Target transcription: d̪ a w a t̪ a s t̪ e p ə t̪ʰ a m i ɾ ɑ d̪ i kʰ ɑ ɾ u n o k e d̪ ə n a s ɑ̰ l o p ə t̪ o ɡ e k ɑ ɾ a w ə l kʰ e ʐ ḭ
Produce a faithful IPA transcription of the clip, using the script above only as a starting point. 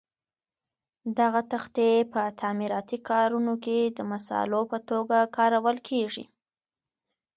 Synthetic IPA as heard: d̪ a ɣ a t̪ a x t̪ e p ə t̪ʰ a m i ɾ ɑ t̪ i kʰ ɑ ɾ u n o k e d̪ ə m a s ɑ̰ l o p ə t̪ o ɡ a k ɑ ɾ a w ə l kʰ e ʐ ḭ